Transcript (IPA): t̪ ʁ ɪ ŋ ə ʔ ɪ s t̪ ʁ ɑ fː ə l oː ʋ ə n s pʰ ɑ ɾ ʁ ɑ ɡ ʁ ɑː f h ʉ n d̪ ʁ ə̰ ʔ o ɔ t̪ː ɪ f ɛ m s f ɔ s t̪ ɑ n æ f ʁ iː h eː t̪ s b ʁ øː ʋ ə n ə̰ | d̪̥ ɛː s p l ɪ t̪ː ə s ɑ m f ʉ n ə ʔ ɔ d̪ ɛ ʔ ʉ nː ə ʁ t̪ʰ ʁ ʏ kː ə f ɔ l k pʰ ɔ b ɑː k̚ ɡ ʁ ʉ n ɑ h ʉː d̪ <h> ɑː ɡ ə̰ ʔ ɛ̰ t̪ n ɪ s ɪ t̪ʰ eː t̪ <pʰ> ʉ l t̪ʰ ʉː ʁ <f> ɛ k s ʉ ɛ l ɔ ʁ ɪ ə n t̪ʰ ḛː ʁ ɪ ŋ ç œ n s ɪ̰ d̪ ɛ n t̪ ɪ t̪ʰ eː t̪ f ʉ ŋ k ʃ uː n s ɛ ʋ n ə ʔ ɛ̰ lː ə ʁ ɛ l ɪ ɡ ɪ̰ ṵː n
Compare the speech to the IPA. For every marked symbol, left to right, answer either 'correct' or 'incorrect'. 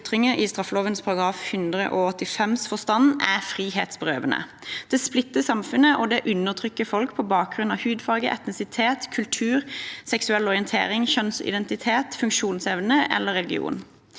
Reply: incorrect: f, incorrect: kʰ, incorrect: s

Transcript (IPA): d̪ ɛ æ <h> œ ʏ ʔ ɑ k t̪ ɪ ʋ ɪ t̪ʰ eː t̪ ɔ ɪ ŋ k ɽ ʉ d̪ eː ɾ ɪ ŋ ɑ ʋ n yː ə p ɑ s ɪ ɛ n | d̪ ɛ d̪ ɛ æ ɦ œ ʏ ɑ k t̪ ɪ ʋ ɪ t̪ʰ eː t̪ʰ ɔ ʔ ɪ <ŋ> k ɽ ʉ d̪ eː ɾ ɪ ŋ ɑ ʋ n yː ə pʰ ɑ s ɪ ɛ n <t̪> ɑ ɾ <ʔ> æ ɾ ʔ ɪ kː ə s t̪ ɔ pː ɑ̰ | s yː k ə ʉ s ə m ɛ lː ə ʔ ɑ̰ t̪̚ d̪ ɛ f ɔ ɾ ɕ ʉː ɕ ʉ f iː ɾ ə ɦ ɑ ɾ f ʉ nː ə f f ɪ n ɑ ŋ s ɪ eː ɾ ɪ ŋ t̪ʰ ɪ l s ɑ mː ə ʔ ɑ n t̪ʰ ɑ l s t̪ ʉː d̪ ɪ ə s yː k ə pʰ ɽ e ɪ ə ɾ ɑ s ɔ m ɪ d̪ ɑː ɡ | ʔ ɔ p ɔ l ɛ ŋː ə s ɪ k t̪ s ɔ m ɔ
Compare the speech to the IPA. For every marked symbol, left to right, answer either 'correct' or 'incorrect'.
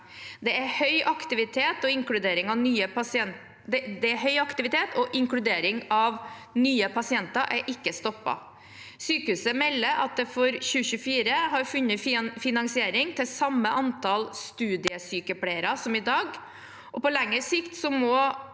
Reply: correct, correct, correct, correct

